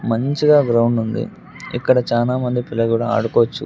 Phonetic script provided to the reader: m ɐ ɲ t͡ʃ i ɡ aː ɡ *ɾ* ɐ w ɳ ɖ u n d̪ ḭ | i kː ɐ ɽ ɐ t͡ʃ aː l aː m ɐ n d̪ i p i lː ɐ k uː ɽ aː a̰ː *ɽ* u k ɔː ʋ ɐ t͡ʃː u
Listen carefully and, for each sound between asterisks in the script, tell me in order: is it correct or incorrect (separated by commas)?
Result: correct, correct